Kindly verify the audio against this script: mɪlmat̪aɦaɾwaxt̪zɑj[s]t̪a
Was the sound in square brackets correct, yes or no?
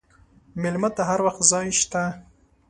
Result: no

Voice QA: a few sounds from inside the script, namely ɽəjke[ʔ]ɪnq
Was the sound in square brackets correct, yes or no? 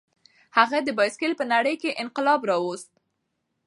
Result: yes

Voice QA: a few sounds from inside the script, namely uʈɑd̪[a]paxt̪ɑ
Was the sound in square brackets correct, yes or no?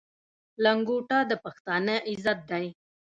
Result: no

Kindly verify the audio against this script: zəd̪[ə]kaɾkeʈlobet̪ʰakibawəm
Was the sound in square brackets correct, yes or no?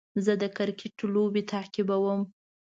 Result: yes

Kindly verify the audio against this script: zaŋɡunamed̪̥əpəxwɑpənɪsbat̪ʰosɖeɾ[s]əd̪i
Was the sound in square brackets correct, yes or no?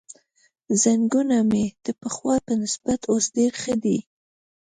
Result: no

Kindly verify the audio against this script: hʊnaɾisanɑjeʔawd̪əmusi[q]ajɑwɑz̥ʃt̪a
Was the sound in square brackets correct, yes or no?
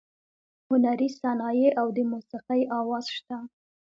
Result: yes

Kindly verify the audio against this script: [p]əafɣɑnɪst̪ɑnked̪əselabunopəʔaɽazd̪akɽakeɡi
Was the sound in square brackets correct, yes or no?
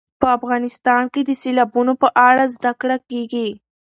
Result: yes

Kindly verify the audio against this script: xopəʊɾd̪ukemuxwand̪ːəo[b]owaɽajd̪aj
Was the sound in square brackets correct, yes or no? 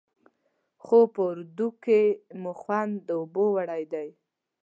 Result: yes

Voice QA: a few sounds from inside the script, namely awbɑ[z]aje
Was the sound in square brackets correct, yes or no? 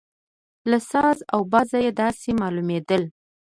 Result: yes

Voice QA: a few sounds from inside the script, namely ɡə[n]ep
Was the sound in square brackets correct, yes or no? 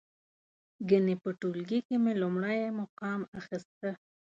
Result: yes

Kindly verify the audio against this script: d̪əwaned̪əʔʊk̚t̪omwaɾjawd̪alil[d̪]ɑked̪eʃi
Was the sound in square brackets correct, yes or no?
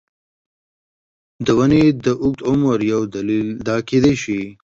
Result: yes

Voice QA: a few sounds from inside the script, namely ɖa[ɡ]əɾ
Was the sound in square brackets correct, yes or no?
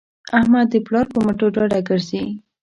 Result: yes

